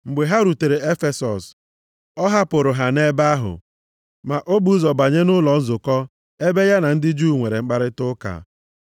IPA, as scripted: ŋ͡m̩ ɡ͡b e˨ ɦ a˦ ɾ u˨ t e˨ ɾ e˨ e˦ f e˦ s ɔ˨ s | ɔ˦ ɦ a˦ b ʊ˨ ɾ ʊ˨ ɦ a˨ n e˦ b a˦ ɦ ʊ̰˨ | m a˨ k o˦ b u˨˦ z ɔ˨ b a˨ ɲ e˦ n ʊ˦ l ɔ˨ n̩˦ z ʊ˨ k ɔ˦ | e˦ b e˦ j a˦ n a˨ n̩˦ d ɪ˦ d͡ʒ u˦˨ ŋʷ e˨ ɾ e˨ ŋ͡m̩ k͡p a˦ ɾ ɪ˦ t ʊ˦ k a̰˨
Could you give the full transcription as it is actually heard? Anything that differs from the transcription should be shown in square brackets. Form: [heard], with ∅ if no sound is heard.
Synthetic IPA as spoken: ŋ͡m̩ ɡ͡b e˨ ɦ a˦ ɾ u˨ t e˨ ɾ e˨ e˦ f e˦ s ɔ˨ s | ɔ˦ ɦ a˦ [p] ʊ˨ ɾ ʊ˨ ɦ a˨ n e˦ b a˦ ɦ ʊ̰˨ | m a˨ [ʔ] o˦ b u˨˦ z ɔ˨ b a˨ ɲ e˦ n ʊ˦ l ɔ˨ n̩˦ z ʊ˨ k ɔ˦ | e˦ b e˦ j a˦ n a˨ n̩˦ d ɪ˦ d͡ʒ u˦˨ ŋʷ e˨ ɾ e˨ ŋ͡m̩ k͡p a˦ ɾ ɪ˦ t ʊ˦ k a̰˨